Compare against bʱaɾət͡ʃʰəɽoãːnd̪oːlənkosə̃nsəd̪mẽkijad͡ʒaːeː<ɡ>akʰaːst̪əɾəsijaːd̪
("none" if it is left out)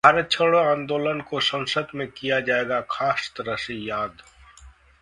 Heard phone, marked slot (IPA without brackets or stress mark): ɡ